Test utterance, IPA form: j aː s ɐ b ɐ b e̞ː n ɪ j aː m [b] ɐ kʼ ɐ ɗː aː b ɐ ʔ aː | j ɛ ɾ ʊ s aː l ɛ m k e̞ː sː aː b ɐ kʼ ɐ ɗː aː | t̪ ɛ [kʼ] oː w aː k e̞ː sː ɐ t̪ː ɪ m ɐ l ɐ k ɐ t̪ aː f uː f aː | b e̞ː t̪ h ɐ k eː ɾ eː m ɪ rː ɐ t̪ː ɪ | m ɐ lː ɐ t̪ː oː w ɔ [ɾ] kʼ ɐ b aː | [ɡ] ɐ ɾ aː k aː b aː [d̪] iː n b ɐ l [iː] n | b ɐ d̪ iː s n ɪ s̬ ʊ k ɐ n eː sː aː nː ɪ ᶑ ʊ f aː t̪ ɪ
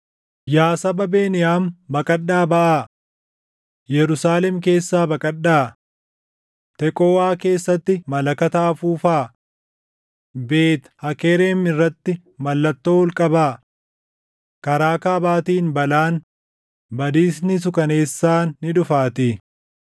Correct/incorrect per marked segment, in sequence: correct, correct, incorrect: l, incorrect: k, incorrect: t̪, incorrect: aː

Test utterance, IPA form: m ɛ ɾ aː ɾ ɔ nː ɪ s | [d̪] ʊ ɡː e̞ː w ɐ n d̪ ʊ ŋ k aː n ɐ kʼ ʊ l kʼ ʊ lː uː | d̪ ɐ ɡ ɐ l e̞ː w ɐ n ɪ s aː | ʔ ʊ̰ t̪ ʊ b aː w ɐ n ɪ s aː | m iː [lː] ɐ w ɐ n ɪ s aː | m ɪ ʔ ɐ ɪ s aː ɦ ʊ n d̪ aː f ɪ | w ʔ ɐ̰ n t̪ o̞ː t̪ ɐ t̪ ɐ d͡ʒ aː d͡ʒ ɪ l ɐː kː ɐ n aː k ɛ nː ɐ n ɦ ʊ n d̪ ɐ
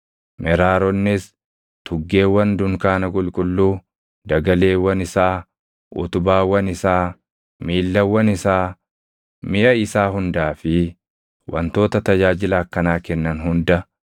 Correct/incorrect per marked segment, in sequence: incorrect: t̪, correct

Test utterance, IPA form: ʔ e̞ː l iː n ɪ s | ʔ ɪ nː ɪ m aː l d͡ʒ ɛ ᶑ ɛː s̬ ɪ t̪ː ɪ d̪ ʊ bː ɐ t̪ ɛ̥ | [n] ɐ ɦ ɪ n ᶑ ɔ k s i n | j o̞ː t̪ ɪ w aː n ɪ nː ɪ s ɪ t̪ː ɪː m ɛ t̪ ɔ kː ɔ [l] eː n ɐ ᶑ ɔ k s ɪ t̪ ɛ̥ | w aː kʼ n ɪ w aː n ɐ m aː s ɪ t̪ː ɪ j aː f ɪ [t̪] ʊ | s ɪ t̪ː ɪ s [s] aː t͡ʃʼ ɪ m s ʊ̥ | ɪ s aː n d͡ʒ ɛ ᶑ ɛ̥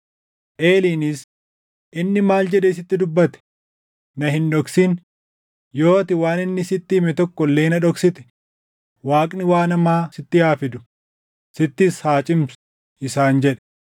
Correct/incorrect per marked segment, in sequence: correct, incorrect: lː, incorrect: d̪, incorrect: h

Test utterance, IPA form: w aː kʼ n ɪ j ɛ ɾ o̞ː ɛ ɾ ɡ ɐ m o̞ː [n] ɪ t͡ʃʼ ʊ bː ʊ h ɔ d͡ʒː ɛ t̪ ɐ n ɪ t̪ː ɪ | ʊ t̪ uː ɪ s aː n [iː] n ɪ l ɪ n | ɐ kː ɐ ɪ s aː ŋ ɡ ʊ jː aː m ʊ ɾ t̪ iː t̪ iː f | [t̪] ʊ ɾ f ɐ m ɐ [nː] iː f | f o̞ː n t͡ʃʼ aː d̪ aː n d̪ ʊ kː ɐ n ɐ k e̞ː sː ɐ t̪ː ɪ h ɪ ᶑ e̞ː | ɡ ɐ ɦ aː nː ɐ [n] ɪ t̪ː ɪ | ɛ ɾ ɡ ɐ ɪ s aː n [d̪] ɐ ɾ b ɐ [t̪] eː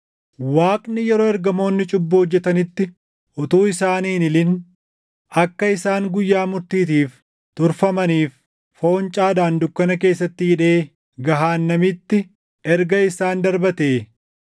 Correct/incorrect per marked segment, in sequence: incorrect: nː, correct, correct, incorrect: n, incorrect: m, correct, correct

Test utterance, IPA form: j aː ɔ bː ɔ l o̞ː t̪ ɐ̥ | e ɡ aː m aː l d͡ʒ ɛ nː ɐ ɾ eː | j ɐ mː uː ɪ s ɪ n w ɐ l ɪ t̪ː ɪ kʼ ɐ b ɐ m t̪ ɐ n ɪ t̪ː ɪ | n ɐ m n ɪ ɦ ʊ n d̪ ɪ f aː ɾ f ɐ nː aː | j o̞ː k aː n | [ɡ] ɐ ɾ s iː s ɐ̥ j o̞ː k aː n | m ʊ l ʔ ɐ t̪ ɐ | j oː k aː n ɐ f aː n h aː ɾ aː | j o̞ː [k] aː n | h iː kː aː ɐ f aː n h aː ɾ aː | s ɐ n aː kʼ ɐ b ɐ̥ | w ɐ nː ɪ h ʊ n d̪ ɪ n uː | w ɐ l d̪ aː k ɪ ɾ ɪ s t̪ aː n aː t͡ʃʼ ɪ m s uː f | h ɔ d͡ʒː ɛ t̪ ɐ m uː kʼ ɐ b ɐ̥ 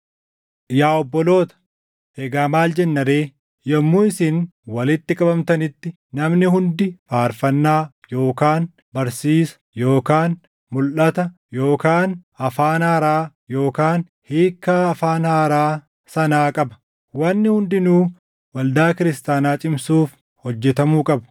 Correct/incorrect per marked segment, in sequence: incorrect: b, correct

